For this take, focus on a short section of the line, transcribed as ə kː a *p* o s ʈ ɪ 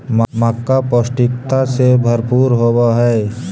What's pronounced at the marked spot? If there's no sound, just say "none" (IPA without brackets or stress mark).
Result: p